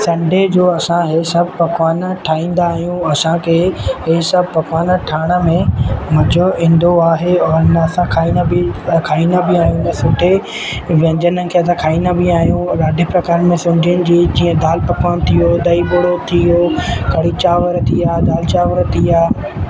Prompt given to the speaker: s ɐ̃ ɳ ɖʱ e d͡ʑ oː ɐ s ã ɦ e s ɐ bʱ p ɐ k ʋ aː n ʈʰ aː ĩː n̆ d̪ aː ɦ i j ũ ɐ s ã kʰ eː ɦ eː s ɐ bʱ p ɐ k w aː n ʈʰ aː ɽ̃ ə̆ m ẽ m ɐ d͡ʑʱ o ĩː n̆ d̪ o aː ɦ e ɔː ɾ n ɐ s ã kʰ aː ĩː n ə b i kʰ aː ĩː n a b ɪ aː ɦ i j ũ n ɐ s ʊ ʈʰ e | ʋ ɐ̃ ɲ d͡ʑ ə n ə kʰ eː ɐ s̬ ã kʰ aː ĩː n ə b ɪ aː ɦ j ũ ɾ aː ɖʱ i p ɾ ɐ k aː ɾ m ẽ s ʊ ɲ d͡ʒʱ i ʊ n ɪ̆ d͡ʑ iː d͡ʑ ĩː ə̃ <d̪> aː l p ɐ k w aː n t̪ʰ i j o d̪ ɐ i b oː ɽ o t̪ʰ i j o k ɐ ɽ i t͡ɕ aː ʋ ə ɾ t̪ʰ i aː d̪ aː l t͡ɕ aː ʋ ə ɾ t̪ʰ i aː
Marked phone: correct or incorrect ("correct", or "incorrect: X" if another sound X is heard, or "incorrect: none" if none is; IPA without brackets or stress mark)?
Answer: correct